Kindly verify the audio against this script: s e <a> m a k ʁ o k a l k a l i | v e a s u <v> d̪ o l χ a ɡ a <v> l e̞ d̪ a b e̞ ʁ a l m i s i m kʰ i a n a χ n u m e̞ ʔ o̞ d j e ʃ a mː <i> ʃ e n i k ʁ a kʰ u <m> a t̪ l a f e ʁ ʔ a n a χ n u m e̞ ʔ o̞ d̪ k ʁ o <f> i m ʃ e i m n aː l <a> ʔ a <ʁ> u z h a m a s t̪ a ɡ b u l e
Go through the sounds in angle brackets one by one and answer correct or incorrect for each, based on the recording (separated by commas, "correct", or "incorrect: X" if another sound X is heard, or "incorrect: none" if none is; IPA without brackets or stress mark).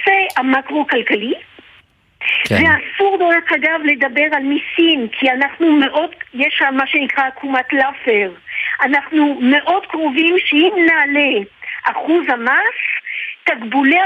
correct, incorrect: ʁ, correct, incorrect: a, correct, incorrect: v, incorrect: e, incorrect: χ